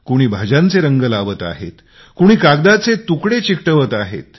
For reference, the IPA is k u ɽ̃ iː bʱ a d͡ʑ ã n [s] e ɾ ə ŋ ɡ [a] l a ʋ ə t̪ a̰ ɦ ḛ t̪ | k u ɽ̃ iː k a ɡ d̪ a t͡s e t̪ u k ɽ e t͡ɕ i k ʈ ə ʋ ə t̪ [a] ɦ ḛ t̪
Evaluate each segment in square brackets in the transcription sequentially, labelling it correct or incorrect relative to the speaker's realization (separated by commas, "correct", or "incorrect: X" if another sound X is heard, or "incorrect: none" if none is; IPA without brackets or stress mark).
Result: incorrect: t͡s, incorrect: ə, correct